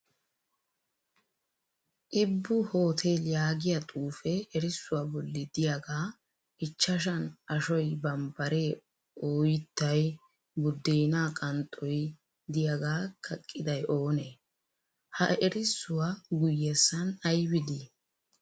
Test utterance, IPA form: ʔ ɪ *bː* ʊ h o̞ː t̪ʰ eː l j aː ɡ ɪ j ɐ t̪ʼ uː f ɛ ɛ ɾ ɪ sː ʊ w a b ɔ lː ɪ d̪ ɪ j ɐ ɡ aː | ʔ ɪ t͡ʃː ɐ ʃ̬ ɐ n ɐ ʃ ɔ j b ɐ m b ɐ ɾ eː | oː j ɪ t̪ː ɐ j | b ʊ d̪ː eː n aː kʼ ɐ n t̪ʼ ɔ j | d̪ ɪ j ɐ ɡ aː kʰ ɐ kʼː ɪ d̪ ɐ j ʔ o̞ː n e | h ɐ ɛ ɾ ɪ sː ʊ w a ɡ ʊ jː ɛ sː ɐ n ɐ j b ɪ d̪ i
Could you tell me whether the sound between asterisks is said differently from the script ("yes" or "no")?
no